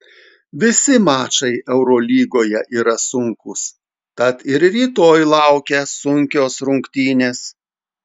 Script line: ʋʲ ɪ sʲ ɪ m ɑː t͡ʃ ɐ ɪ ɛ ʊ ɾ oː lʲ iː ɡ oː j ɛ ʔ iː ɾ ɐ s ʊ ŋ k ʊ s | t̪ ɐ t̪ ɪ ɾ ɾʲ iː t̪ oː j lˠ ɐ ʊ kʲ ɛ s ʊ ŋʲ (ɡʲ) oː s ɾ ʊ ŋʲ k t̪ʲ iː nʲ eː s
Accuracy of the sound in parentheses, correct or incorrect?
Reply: incorrect